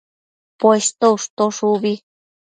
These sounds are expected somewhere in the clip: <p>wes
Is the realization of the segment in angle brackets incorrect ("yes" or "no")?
no